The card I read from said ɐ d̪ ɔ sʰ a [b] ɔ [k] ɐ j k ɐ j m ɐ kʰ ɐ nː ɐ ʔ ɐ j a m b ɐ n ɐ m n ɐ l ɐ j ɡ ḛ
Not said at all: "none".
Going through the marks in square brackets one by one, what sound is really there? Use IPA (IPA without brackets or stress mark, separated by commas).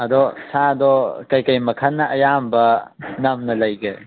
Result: d, k